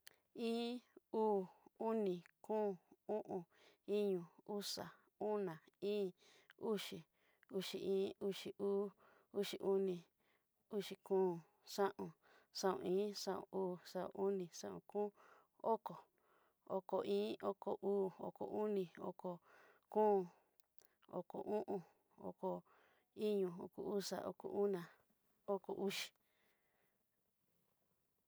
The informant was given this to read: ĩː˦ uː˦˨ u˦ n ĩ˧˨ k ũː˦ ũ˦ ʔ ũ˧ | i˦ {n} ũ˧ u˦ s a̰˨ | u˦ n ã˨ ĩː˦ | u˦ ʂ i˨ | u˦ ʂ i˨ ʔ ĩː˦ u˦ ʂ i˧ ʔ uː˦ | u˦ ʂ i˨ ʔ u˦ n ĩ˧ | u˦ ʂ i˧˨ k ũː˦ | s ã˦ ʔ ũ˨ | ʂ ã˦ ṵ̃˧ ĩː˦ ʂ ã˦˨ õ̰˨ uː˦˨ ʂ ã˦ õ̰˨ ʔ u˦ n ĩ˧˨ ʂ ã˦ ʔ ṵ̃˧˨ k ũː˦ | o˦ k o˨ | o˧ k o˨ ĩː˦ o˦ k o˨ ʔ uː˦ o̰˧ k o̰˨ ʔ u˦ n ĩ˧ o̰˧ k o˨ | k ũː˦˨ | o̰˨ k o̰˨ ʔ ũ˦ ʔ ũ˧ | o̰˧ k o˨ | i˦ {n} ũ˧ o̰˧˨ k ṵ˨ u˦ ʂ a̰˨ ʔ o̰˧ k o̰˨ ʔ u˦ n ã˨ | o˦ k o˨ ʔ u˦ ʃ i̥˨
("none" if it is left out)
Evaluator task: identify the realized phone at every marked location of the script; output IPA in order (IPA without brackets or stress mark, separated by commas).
ɲ, ɲ